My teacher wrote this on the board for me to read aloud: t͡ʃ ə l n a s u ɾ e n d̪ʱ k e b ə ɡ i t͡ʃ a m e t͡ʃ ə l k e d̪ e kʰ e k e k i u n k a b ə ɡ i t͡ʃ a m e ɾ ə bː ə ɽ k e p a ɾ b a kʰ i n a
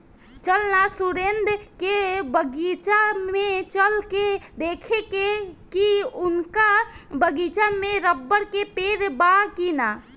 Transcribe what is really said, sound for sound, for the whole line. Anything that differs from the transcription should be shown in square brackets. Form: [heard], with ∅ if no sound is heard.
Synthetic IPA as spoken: t͡ʃ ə l n a s u ɾ e n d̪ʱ k e b ə ɡ i t͡ʃ a m e t͡ʃ ə l k e d̪ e kʰ e k e k i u n k a b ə ɡ i t͡ʃ a m e ɾ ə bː ə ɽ k e p [e] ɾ b a [k] i n a

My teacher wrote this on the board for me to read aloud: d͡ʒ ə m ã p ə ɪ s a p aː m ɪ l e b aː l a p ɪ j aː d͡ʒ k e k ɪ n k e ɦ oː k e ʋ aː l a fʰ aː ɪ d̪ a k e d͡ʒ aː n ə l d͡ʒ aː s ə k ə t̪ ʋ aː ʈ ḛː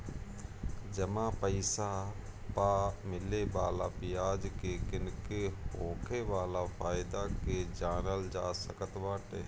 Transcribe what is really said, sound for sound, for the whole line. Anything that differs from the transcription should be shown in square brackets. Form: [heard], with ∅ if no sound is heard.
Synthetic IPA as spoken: d͡ʒ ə m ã p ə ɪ s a p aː m ɪ l e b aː l a p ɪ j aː d͡ʒ k e k ɪ n k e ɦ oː [kʰ] e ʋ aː l a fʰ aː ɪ d̪ a k e d͡ʒ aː n ə l d͡ʒ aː s ə k ə t̪ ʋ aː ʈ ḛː

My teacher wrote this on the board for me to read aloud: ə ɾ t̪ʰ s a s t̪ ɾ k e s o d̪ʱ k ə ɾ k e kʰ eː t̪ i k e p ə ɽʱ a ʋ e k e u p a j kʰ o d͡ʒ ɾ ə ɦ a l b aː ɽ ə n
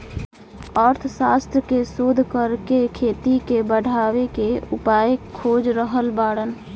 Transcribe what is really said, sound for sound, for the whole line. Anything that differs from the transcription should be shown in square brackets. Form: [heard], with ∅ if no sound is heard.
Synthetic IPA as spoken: ə ɾ t̪ʰ s a s t̪ ɾ k e s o d̪ʱ k ə ɾ k e kʰ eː t̪ i k e [b] ə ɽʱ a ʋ e k e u p a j kʰ o d͡ʒ ɾ ə ɦ [ə] l b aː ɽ ə n

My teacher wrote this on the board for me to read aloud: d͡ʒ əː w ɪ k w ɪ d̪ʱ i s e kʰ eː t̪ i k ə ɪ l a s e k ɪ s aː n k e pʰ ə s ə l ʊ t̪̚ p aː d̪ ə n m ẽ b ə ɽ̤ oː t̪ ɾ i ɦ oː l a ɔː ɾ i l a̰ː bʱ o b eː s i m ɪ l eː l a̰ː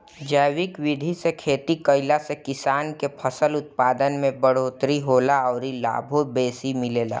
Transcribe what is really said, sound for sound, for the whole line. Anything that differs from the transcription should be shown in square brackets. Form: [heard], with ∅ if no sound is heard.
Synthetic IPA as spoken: d͡ʒ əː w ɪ k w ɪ d̪ʱ i s e kʰ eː t̪ i k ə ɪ l a s e k ɪ s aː n k e pʰ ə s ə l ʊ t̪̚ p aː d̪ ə n m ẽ b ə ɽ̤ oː t̪ ɾ i ɦ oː l a ɔː ɾ i l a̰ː bʱ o b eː s i m ɪ l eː l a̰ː

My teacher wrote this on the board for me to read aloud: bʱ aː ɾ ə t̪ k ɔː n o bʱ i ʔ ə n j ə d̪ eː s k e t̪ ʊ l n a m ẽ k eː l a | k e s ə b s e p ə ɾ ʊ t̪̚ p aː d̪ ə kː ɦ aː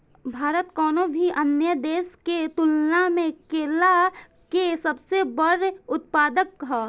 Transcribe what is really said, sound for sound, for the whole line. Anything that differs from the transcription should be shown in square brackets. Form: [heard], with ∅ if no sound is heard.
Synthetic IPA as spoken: bʱ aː ɾ ə t̪ k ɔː n o bʱ i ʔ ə n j ə d̪ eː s k e t̪ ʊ l n a m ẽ k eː l a | k e s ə b s e [b] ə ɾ ʊ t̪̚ p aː d̪ ə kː ɦ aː

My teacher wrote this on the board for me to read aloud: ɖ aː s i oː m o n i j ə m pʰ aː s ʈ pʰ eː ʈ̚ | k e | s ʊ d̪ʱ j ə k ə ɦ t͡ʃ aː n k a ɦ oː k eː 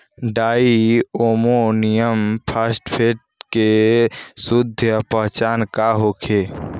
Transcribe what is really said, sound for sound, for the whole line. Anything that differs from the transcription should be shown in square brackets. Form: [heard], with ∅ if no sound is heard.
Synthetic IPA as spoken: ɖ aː [∅] i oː m o n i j ə m pʰ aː s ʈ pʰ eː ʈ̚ | k e | s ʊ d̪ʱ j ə [p] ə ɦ t͡ʃ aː n k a ɦ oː [kʰ] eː

